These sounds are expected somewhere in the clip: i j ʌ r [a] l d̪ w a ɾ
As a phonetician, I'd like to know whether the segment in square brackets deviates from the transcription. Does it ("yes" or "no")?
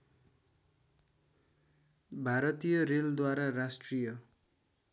yes